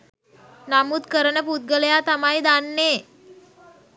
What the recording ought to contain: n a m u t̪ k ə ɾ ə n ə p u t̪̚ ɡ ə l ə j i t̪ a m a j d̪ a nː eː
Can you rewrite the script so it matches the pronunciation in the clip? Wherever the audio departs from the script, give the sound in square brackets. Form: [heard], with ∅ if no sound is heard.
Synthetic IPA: n a m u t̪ k ə ɾ ə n ə p u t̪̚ ɡ ə l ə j [a] t̪ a m a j d̪ a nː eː